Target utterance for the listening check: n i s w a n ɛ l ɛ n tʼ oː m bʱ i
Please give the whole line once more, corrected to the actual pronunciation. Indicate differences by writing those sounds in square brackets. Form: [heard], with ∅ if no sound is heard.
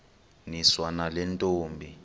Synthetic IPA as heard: n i s w a n [a] l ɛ n tʼ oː m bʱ i